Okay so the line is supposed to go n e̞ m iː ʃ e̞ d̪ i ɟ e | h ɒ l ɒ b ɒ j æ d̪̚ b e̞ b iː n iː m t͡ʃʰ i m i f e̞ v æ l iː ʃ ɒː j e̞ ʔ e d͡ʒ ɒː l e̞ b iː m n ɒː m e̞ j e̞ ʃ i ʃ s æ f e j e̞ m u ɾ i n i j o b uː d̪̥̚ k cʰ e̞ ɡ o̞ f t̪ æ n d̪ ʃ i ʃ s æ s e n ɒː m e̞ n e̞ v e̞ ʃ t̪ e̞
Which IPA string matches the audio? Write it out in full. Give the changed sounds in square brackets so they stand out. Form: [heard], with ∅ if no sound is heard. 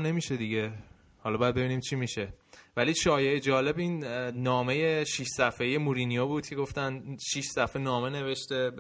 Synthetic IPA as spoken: n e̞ m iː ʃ e̞ d̪ i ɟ e | h ɒ l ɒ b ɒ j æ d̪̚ b e̞ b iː n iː m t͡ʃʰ i m i [ʃ] e̞ v æ l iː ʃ ɒː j e̞ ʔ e d͡ʒ ɒː l e̞ b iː [n] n ɒː m e̞ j e̞ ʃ i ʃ s æ f e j e̞ m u ɾ i n i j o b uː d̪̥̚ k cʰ e̞ ɡ o̞ f t̪ æ n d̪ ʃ i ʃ s æ [f] e n ɒː m e̞ n e̞ v e̞ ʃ t̪ e̞